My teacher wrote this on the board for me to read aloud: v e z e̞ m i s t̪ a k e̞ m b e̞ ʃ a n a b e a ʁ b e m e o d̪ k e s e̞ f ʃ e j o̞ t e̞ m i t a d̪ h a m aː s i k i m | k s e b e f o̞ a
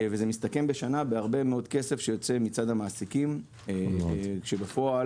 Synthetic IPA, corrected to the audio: v e z e̞ m i s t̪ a k e̞ m b e̞ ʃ a n a b e a ʁ b e m e o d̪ k e s e̞ f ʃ e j o̞ t͡s e̞ m i t͡s a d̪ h a m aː s i k i m | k ʃ e b e f o̞ a